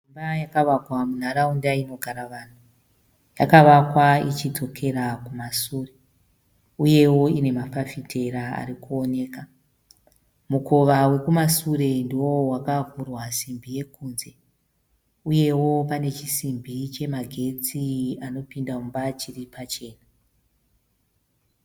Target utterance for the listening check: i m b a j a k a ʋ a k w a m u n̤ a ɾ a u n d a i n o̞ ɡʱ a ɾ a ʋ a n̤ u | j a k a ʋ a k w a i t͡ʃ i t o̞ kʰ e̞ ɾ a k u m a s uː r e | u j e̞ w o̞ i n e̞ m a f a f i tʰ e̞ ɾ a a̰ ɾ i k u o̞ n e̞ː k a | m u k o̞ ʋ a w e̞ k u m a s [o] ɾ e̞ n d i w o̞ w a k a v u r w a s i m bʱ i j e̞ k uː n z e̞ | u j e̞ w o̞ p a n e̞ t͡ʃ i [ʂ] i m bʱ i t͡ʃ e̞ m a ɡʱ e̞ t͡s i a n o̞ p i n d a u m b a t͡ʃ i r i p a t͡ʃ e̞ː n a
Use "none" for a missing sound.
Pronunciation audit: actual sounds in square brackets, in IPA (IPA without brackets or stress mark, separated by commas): u, s